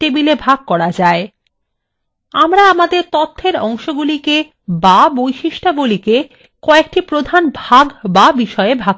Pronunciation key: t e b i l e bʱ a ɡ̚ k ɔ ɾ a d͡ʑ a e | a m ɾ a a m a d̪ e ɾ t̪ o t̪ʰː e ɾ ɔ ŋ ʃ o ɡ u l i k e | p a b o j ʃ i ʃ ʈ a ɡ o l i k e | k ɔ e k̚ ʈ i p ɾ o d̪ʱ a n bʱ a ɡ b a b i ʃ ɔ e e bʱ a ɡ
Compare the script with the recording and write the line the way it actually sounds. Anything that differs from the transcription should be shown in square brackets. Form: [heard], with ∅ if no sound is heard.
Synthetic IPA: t e b i l e bʱ a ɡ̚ k ɔ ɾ a d͡ʑ a e | a m ɾ a a m a d̪ e ɾ t̪ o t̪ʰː e ɾ ɔ ŋ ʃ o ɡ u l i k e | [b] a b o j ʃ i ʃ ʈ a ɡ [u] l i k e | k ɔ e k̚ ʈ i p ɾ o d̪ʱ a n bʱ a ɡ b a b i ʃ ɔ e e bʱ a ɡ